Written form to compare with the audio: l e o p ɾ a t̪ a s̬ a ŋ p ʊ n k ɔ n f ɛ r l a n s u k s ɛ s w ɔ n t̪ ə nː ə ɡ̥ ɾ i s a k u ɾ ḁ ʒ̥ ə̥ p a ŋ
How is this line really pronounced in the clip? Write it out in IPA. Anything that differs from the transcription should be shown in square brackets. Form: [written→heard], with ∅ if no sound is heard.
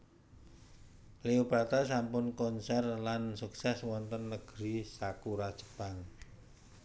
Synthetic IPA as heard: l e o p ɾ a t̪ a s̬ a [ŋ→m] p ʊ n k ɔ n [f→s] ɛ r l a n s u k s ɛ s w ɔ n t̪ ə nː ə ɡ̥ ɾ i s a k u ɾ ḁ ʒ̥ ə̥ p a ŋ